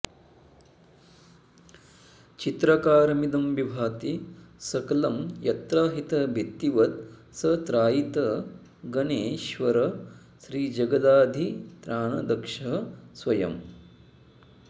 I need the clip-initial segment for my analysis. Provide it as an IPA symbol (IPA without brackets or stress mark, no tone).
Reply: t͡ʃ